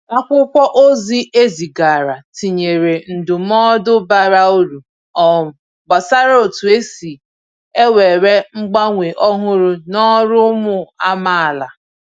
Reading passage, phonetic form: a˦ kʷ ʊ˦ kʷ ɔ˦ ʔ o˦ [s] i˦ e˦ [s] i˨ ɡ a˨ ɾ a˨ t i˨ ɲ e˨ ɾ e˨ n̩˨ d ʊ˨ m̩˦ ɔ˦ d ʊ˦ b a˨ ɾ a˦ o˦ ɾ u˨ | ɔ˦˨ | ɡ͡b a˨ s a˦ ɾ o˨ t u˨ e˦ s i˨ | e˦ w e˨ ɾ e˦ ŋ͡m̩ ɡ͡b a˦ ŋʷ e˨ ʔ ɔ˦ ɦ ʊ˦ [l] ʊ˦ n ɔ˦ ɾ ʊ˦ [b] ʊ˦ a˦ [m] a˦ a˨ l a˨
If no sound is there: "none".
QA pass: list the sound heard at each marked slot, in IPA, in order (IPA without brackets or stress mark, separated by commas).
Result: z, z, ɾ, m, m